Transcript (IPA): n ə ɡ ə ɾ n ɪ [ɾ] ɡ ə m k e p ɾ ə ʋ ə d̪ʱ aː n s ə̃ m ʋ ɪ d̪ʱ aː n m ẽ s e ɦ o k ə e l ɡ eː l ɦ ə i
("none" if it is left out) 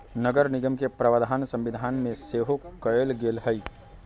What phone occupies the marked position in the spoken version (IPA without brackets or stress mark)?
none